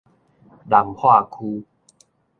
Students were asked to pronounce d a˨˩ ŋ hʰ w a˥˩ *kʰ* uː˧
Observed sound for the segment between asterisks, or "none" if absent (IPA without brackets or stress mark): kʰ